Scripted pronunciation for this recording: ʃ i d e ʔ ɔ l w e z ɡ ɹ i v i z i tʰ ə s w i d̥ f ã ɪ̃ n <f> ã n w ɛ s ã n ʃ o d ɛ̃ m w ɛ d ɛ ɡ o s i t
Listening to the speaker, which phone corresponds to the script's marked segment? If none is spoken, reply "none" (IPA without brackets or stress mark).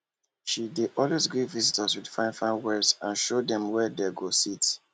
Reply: f